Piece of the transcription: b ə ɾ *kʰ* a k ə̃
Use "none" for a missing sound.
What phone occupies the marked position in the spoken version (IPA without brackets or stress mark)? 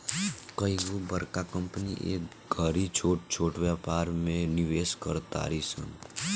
k